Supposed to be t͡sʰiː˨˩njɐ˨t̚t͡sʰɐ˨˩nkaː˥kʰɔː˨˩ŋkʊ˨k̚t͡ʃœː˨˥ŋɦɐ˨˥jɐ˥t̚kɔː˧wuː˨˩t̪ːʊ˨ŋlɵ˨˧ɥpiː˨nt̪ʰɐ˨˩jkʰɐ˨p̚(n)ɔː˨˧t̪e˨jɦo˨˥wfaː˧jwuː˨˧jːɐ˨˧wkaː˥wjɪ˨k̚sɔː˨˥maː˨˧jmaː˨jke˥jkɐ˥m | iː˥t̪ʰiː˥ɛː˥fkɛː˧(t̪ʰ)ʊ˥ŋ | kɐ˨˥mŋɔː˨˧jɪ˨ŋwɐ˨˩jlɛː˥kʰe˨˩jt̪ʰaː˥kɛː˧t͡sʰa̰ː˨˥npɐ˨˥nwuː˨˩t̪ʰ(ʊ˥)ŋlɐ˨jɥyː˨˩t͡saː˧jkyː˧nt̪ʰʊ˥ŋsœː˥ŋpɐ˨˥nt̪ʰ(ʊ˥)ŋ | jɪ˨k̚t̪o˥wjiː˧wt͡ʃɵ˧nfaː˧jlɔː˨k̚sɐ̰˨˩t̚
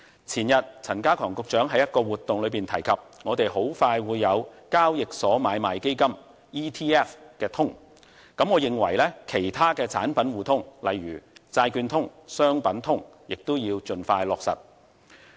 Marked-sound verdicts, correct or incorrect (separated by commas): incorrect, correct, correct, correct